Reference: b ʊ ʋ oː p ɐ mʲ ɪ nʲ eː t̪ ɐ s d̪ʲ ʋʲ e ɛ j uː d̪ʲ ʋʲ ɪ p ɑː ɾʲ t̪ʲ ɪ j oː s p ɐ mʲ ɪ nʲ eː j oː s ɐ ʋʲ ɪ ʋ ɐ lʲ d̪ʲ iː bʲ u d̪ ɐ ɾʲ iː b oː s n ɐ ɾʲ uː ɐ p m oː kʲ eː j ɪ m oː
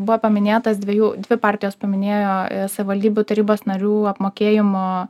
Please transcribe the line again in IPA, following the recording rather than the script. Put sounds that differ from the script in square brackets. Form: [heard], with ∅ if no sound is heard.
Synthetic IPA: b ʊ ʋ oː p ɐ mʲ ɪ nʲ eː t̪ ɐ s d̪ʲ ʋʲ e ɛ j uː d̪ʲ ʋʲ ɪ p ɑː ɾʲ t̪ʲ ɪ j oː s p ɐ mʲ ɪ nʲ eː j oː s ɐ ʋʲ ɪ ʋ ɐ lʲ d̪ʲ iː bʲ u [t̪] ɐ ɾʲ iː b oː s n ɐ ɾʲ uː ɐ p m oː kʲ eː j ɪ m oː

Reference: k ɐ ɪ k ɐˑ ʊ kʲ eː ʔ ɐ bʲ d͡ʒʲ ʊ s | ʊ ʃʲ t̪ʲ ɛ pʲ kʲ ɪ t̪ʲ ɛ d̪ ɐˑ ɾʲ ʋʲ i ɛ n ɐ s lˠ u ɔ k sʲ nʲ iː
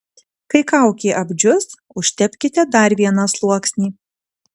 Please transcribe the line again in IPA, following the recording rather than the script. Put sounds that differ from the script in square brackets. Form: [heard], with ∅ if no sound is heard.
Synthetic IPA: k ɐ ɪ k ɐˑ ʊ kʲ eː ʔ ɐ bʲ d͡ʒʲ ʊ s | ʊ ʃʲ t̪ʲ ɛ pʲ kʲ ɪ t̪ʲ ɛ d̪ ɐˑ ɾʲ ʋʲ i ɛ n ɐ s lˠ u ɔ k sʲ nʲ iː

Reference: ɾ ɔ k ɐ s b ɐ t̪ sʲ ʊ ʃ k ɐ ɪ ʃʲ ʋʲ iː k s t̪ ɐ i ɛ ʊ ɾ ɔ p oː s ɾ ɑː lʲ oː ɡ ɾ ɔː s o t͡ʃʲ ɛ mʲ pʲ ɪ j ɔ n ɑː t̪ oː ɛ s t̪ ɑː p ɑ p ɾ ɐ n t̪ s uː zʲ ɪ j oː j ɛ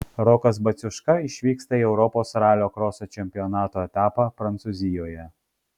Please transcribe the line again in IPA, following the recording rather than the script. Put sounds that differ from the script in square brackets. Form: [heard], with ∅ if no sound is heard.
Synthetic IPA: ɾ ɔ k ɐ s b ɐ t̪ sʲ ʊ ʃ k ɐ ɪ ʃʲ ʋʲ iː k s t̪ ɐ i ɛ ʊ ɾ ɔ p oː s ɾ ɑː lʲ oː [k] ɾ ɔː s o t͡ʃʲ ɛ mʲ pʲ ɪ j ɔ n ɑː t̪ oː ɛ [∅] t̪ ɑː p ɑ p ɾ ɐ n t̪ s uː zʲ ɪ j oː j ɛ

